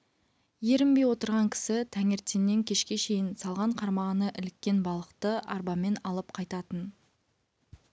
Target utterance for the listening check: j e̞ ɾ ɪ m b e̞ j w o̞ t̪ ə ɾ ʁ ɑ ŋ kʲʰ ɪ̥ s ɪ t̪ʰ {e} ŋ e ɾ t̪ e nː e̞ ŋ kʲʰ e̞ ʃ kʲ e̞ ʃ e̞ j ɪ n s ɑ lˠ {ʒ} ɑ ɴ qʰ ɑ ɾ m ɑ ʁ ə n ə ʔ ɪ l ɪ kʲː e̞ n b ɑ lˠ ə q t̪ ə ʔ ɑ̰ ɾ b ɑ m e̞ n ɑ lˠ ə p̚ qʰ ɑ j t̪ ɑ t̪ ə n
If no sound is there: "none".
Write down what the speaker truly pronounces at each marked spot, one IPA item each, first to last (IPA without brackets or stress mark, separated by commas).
æ, ʁ